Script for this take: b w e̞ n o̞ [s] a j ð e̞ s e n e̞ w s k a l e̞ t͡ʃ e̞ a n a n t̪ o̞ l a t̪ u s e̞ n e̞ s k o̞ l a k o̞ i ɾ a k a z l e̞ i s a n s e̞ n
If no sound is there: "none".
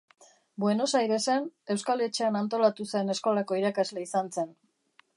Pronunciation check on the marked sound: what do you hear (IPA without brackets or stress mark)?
s